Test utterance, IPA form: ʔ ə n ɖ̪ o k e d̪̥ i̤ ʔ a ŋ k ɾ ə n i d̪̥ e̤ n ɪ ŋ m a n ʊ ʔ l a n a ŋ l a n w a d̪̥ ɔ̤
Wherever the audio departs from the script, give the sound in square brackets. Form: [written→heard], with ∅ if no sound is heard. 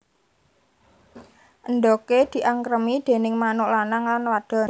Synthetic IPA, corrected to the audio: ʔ ə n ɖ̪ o k e d̪̥ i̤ ʔ a ŋ k ɾ ə [n→m] i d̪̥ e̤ n ɪ ŋ m a n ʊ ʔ l a n a ŋ l a n w a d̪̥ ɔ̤